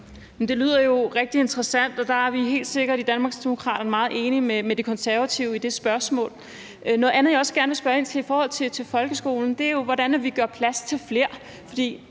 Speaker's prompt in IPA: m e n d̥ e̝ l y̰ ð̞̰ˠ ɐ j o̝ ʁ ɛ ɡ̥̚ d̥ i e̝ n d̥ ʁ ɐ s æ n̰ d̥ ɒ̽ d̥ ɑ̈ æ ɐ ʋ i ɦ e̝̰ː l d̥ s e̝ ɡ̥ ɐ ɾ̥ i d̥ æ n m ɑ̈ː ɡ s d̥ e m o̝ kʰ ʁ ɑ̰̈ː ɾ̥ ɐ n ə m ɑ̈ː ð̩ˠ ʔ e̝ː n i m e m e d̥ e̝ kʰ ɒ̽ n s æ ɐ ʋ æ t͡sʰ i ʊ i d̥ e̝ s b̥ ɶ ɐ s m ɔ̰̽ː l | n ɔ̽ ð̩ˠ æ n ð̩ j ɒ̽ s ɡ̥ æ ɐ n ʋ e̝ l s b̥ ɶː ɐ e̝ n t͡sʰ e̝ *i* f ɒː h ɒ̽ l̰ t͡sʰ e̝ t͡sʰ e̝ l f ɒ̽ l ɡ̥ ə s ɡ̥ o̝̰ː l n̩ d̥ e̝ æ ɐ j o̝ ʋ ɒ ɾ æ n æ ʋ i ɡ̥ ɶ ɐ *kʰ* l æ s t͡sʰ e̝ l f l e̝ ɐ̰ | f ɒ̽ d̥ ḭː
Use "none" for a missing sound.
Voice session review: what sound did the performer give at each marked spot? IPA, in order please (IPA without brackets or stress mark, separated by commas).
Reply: i, pʰ